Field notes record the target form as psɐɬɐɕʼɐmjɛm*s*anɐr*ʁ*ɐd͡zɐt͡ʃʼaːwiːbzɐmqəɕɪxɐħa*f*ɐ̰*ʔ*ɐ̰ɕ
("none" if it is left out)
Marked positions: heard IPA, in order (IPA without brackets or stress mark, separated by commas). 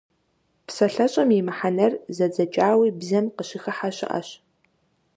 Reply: ħ, z, ɕ, ʔ